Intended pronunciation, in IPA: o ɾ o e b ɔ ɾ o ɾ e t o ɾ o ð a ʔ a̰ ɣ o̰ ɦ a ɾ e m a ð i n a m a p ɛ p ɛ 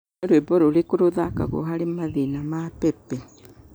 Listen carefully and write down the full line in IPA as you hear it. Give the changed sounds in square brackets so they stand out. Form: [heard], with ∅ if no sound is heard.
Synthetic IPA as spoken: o ɾ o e b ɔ ɾ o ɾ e [k] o ɾ o ð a [k] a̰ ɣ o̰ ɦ a ɾ e m a ð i n a m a p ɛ p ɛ